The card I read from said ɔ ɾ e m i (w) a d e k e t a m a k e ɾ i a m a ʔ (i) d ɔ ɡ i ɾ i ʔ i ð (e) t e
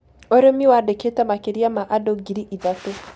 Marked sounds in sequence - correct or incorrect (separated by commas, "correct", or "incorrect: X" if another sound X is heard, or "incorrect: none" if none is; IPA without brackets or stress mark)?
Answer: correct, incorrect: a, incorrect: a